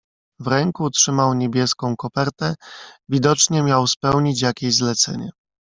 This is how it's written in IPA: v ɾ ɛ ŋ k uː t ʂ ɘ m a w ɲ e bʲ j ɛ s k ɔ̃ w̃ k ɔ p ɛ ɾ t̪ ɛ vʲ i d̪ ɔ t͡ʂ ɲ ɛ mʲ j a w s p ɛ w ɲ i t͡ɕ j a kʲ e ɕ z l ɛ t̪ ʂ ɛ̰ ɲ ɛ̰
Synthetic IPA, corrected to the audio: v ɾ ɛ ŋ k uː t ʂ ɘ m a w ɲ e bʲ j ɛ s k ɔ̃ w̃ k ɔ p ɛ ɾ t̪ ɛ vʲ i d̪ ɔ t͡ʂ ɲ ɛ mʲ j a w s p ɛ w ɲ i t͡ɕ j a kʲ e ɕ z l ɛ t̪ s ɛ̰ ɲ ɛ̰